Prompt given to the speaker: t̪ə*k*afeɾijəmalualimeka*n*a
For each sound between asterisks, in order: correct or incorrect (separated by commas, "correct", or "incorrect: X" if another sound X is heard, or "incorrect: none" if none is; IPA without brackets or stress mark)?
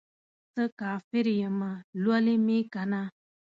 correct, correct